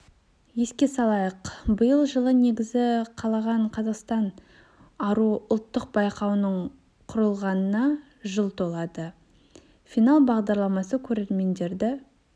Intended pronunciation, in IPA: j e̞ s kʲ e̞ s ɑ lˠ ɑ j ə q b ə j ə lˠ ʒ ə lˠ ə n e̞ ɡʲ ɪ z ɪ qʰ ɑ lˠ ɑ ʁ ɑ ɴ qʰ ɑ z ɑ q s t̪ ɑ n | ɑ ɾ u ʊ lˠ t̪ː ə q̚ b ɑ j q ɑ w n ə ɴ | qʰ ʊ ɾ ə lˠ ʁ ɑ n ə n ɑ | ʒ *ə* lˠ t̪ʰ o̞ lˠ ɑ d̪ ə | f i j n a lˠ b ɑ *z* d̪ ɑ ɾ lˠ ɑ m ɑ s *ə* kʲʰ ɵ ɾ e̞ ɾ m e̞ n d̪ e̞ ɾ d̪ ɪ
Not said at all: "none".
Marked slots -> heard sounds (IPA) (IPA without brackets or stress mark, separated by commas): ə, ʁ, ə